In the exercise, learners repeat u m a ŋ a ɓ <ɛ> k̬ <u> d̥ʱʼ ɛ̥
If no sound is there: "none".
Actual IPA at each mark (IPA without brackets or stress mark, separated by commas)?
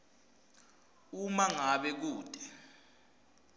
ɛ, uː